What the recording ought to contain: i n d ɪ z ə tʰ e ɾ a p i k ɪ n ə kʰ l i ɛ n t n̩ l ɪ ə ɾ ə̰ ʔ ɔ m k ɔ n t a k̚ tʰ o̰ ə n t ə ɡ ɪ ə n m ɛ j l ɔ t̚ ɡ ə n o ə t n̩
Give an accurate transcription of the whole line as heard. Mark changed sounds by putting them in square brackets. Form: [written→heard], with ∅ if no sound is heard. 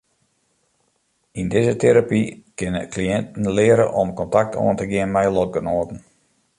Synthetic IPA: i n d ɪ z ə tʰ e ɾ a p i k ɪ n ə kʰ l i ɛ n t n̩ l ɪ ə ɾ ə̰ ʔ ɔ m k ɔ n t a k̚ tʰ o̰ ə n t ə ɡ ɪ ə n m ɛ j l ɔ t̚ ɡ ə n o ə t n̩